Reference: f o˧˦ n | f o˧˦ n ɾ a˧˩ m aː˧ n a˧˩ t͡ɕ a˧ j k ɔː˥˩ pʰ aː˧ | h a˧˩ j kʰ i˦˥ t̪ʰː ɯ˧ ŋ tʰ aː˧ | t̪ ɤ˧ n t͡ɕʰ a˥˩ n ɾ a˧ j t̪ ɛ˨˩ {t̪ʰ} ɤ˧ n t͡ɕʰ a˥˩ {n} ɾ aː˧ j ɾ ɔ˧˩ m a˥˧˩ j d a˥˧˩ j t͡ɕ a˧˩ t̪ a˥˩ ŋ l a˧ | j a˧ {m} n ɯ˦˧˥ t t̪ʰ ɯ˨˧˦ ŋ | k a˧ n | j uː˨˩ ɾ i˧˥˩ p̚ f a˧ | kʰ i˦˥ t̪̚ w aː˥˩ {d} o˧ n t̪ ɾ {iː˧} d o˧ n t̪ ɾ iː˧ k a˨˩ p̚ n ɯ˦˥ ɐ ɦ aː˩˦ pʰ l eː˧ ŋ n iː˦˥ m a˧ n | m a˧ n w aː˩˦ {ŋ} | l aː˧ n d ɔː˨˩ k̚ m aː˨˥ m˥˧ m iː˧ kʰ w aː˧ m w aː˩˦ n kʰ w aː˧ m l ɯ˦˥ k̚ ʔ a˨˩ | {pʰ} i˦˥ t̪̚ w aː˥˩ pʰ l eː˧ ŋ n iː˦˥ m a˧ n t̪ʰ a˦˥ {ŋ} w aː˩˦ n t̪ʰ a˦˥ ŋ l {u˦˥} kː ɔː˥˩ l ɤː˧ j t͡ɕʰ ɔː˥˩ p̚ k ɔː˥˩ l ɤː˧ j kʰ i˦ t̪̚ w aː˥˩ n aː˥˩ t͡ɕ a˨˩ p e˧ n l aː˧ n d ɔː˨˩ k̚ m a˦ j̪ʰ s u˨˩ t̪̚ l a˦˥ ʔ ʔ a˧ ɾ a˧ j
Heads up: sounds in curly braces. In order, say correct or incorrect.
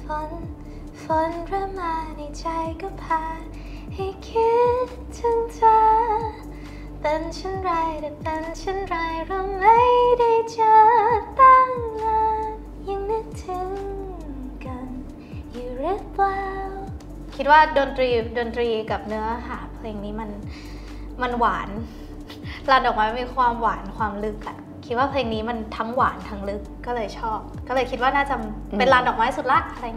incorrect, correct, incorrect, correct, correct, incorrect, incorrect, correct, incorrect

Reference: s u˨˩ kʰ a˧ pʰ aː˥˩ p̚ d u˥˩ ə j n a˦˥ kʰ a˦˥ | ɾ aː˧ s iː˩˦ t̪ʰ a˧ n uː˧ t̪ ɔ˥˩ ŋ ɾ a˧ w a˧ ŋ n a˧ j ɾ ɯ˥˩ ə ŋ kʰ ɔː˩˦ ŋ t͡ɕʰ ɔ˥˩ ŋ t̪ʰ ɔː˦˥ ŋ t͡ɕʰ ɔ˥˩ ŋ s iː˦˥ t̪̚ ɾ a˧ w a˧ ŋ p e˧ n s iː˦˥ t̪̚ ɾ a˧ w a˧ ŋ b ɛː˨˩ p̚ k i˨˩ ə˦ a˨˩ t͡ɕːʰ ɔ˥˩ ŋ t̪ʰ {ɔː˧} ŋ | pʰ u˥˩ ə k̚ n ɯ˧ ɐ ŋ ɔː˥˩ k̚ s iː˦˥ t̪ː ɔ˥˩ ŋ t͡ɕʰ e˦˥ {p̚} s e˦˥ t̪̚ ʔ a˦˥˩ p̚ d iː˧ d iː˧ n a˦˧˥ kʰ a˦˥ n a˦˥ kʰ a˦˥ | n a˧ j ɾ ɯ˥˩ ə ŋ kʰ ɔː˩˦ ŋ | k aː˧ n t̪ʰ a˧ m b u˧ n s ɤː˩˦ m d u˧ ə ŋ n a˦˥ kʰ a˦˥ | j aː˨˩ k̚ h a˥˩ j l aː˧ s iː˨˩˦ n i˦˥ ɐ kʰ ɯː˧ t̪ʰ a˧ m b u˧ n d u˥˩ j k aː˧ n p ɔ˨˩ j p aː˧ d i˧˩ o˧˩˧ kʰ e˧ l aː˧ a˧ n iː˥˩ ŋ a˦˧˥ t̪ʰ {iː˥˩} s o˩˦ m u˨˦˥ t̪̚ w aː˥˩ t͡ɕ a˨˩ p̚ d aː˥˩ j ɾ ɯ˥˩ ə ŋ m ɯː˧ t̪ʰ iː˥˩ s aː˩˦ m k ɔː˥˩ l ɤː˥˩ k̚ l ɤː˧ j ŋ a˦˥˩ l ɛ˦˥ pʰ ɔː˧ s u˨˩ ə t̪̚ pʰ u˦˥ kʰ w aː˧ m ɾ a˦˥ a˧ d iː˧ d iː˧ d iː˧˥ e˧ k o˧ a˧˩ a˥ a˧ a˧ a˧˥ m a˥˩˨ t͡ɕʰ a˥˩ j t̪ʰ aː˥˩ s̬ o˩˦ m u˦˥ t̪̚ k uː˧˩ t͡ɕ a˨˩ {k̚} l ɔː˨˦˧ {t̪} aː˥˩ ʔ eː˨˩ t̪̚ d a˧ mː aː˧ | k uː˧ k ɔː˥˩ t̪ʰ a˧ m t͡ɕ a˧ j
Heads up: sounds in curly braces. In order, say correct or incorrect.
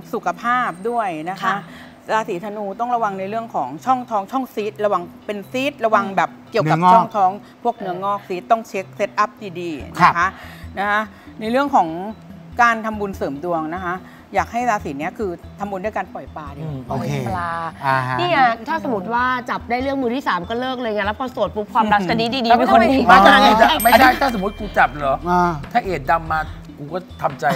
incorrect, incorrect, incorrect, incorrect, incorrect

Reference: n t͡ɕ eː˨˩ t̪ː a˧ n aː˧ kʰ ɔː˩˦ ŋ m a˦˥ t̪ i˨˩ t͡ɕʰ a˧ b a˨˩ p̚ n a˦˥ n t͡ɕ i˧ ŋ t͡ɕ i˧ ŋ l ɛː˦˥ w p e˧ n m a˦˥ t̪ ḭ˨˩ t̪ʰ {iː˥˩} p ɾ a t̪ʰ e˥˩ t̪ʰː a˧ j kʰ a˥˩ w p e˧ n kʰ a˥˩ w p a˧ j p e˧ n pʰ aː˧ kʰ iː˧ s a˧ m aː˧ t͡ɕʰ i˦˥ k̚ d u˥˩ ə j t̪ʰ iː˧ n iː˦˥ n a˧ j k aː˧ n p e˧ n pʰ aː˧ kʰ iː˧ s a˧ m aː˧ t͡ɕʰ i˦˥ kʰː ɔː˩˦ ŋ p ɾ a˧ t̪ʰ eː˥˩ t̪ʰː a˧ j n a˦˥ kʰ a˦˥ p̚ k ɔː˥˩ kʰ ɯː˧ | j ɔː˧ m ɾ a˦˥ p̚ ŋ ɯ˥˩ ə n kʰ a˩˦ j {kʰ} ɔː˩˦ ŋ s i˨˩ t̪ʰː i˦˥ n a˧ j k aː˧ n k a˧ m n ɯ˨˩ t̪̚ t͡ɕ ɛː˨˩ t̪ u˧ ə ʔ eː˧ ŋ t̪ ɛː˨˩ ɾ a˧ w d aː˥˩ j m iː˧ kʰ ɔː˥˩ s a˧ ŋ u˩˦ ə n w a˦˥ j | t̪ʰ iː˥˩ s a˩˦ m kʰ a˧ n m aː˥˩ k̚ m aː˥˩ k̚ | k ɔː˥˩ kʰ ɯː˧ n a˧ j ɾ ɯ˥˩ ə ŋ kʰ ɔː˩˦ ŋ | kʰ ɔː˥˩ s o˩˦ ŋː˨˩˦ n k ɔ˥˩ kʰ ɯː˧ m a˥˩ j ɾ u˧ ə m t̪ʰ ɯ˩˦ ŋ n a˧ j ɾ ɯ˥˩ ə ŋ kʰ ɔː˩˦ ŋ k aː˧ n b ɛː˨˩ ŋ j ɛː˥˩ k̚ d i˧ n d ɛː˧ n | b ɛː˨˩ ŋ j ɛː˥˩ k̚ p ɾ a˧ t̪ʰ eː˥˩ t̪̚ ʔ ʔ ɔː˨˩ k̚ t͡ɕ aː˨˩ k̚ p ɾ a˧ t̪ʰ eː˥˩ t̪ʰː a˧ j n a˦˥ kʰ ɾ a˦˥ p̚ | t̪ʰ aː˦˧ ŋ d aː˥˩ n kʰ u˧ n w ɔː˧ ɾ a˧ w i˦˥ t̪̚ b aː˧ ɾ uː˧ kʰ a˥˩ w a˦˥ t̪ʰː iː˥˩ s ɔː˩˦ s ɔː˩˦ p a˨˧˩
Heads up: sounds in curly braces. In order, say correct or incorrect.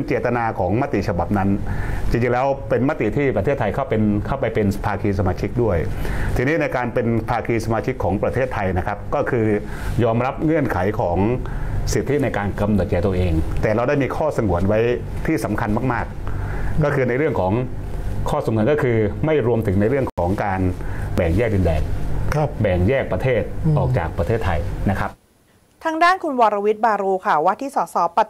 correct, correct

